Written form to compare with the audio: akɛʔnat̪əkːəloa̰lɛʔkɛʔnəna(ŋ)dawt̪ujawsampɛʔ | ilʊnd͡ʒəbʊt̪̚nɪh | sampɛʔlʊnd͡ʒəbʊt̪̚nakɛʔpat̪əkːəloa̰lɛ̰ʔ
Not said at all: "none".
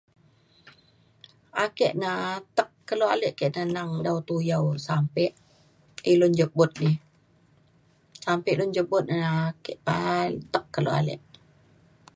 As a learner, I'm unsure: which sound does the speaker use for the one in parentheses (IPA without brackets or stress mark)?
ŋ